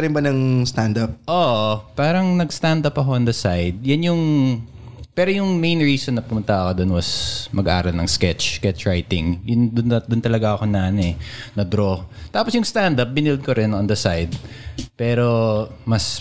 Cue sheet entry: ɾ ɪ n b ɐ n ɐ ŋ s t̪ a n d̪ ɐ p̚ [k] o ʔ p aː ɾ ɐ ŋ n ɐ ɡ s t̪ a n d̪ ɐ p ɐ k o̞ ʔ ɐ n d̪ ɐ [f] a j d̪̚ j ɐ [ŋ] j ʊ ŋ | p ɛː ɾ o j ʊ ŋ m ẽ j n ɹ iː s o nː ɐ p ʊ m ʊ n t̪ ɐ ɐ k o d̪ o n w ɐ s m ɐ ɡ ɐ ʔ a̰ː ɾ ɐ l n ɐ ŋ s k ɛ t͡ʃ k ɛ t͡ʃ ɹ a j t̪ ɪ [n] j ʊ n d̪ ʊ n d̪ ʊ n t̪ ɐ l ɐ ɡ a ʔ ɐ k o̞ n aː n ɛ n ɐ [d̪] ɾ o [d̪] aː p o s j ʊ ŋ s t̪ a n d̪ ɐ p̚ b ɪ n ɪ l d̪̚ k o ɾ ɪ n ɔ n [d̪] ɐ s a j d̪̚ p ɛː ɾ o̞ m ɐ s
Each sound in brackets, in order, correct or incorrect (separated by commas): incorrect, incorrect, incorrect, incorrect, correct, incorrect, correct